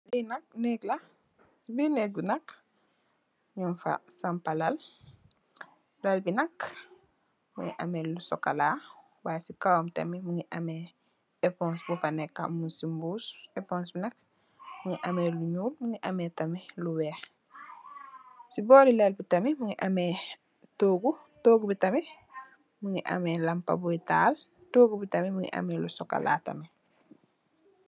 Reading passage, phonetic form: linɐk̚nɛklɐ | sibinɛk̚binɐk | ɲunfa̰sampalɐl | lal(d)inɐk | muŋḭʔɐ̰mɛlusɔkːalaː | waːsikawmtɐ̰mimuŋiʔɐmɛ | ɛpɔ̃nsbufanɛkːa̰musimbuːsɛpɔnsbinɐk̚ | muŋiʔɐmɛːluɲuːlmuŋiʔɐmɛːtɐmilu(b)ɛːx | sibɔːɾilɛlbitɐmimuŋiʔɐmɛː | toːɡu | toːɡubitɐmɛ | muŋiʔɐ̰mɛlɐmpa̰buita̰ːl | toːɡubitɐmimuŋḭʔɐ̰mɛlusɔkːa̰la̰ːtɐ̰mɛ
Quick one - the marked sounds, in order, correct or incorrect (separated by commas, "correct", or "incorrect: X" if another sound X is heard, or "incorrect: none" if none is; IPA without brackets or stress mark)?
incorrect: b, incorrect: w